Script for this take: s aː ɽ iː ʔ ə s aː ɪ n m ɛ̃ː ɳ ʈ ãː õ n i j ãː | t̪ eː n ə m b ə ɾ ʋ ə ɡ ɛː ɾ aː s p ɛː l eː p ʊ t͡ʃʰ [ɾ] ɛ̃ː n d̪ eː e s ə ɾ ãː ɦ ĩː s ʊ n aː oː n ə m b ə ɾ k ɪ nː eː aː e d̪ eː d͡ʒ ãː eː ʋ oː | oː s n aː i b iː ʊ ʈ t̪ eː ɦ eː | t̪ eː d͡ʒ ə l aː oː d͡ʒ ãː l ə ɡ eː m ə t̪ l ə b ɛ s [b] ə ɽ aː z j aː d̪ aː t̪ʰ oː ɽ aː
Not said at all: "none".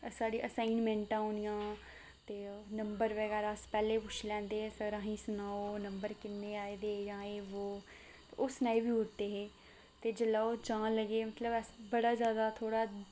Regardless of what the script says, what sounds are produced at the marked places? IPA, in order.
l, b

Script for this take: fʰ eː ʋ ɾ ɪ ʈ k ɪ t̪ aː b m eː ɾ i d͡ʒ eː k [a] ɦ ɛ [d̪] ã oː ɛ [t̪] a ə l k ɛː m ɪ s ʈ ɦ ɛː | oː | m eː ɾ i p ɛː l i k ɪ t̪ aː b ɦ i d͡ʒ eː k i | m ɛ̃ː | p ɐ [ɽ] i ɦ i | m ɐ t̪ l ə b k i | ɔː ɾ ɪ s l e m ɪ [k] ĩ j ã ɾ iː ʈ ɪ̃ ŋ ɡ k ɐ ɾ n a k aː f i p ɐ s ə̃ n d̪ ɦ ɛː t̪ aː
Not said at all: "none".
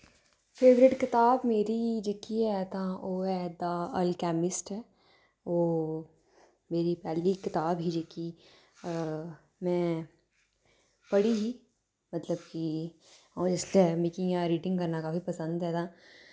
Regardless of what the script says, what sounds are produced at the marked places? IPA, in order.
i, t̪, d̪, ɽ, k

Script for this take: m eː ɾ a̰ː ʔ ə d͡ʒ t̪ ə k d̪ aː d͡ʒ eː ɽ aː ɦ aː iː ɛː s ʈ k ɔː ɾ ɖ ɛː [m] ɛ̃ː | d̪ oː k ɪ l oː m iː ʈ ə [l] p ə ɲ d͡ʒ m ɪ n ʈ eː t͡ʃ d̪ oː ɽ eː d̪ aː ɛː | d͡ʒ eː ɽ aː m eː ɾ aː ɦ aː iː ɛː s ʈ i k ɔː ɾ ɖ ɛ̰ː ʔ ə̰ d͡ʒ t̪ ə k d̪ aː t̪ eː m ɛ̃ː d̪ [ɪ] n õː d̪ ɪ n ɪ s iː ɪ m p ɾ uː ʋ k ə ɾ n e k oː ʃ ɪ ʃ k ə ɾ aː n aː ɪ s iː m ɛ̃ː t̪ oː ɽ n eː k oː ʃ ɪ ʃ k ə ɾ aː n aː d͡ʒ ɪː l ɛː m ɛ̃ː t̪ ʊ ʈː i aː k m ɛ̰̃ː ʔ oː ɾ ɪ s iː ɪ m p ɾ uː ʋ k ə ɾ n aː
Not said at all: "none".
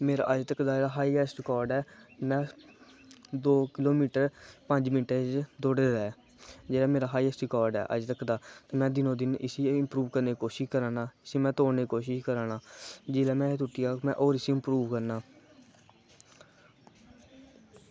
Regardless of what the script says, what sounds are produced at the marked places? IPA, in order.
m, ɾ, ɪ

